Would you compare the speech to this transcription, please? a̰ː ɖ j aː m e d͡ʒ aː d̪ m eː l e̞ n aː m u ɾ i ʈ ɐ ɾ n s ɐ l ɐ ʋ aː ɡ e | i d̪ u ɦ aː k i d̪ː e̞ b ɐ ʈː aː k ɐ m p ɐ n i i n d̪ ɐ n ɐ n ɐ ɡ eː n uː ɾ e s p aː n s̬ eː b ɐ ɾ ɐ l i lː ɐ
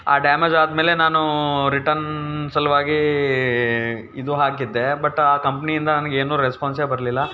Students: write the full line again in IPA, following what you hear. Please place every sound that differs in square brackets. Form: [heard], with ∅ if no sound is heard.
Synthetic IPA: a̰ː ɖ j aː m e d͡ʒ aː d̪ m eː l e̞ n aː [n] u ɾ i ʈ ɐ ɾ n s ɐ l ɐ ʋ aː ɡ [i] | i d̪ u ɦ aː k i d̪ː e̞ b ɐ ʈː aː k ɐ m p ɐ n i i n d̪ ɐ n ɐ n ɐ ɡ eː n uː ɾ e s p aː n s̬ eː b ɐ ɾ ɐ l i lː ɐ